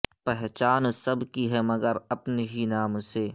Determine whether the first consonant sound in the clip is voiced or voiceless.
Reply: voiceless